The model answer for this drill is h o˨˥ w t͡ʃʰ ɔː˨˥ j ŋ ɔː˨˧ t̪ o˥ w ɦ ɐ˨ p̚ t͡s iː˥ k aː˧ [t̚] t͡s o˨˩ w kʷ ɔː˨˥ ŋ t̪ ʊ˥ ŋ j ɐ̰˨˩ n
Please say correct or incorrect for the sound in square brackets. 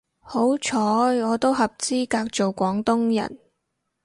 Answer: incorrect